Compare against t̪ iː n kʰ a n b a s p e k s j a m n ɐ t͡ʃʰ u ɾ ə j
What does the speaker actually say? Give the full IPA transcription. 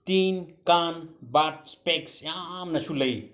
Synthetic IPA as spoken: t̪ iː n k a n b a s p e k s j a m n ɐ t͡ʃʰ u l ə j